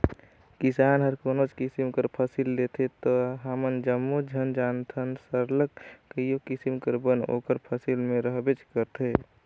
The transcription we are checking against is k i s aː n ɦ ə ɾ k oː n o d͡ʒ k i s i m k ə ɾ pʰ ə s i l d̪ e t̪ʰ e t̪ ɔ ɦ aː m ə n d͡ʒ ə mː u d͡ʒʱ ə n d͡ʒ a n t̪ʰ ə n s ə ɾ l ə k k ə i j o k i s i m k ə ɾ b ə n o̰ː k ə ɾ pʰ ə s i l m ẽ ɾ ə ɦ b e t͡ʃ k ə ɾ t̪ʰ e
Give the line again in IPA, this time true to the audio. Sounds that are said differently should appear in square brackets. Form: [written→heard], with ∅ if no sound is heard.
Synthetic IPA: k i s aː n ɦ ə ɾ k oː n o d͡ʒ k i s i m k ə ɾ pʰ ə s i l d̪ e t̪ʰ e t̪ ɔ ɦ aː m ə n d͡ʒ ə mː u d͡ʒʱ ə n d͡ʒ a n t̪ʰ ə n s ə ɾ l ə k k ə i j o k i s i m k ə ɾ b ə n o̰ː k ə ɾ pʰ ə s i l m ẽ ɾ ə ɦ b e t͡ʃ k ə ɾ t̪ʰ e